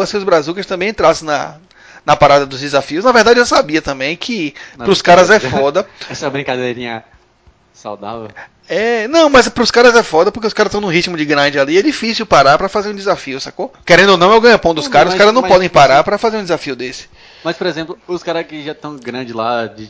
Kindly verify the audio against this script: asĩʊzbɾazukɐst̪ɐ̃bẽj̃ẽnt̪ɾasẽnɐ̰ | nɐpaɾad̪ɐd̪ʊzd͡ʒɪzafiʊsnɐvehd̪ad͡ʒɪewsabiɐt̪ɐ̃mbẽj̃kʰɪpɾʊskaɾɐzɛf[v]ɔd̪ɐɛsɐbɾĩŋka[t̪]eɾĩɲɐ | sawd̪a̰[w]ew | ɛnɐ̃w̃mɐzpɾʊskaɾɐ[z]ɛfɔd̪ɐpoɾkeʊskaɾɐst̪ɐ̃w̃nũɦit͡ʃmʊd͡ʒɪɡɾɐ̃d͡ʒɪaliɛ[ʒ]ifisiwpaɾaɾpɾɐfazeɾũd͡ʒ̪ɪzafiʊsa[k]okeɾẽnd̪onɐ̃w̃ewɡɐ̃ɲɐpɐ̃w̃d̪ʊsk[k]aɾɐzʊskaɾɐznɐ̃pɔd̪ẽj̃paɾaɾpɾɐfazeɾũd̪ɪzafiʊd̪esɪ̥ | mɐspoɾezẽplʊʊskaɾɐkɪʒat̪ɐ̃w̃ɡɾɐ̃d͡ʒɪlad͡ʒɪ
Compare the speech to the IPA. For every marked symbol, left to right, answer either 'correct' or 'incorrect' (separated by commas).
incorrect, incorrect, incorrect, correct, incorrect, correct, correct